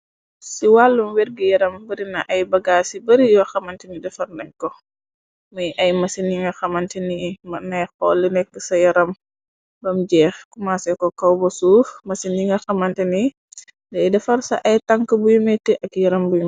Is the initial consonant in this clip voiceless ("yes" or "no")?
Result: yes